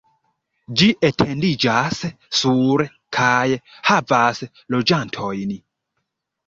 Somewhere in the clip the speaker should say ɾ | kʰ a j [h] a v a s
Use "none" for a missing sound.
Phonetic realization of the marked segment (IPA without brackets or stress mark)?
h